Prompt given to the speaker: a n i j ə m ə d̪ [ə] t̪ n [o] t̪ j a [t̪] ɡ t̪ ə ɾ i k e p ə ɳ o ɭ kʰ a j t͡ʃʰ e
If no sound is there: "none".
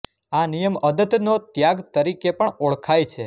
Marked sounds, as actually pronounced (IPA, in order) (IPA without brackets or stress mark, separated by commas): ə, o, none